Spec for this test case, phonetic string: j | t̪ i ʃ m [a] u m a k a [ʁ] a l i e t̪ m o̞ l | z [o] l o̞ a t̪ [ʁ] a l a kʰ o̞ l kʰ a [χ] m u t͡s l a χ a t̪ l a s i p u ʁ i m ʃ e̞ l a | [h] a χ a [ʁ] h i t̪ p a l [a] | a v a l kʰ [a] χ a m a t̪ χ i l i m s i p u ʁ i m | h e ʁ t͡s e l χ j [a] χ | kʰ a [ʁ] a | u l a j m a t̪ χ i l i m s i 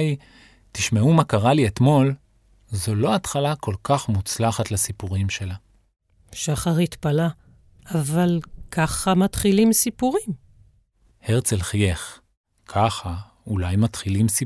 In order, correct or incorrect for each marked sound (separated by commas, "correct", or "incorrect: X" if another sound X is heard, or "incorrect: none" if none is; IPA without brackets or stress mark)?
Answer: incorrect: e, correct, correct, incorrect: χ, correct, incorrect: ʃ, correct, correct, correct, incorrect: e, incorrect: χ